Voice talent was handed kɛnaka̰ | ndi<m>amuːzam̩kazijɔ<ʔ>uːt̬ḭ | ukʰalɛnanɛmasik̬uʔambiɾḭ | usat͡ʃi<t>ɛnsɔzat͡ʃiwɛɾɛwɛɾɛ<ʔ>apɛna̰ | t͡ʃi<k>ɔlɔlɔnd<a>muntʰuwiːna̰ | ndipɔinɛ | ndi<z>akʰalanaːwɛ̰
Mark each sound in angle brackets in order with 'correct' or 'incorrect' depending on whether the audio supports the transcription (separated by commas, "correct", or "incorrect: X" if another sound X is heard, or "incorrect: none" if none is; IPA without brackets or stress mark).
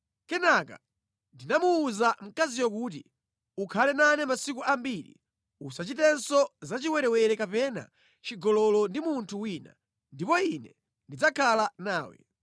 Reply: incorrect: n, incorrect: k, correct, incorrect: k, incorrect: ɡ, incorrect: i, incorrect: d͡z